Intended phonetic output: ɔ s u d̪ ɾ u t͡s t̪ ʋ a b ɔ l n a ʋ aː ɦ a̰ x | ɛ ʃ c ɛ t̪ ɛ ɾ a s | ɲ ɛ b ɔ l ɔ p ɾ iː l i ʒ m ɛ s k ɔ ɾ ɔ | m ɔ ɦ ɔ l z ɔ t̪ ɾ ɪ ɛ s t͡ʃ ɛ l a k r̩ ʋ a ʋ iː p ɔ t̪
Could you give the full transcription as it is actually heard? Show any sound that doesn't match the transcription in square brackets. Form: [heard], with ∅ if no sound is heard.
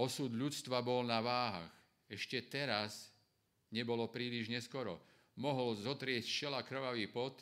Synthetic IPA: ɔ s u d̪ [ʎ] u t͡s t̪ ʋ a b ɔ l n a ʋ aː ɦ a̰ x | ɛ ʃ c ɛ t̪ ɛ ɾ a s | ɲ ɛ b ɔ l ɔ p ɾ iː l i ʒ [ɲ] ɛ s k ɔ ɾ ɔ | m ɔ ɦ ɔ l z ɔ t̪ ɾ ɪ ɛ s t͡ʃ ɛ l a k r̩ ʋ a ʋ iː p ɔ t̪